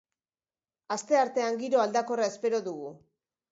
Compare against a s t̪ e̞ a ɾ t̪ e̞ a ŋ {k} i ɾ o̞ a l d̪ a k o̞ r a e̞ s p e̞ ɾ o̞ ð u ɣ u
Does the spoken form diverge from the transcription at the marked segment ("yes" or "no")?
yes